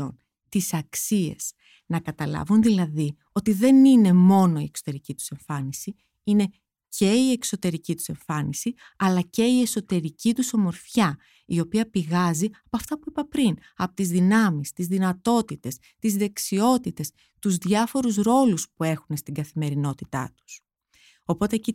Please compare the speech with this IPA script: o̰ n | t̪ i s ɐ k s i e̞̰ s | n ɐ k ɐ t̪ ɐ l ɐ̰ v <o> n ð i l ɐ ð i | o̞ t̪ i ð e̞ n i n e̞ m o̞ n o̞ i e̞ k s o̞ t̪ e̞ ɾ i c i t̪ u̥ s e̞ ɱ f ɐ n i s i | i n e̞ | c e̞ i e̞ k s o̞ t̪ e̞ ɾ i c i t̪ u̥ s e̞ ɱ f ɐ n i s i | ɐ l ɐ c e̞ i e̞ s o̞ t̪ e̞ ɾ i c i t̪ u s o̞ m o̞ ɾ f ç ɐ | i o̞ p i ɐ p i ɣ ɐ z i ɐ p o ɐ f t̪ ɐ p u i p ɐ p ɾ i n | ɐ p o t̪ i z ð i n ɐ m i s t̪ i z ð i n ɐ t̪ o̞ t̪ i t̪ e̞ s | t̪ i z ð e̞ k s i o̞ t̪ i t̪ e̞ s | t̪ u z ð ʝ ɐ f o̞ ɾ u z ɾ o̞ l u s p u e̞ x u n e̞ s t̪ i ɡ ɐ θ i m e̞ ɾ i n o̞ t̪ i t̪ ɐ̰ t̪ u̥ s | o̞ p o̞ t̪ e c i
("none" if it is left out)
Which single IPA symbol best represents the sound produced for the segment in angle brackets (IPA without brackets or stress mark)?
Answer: u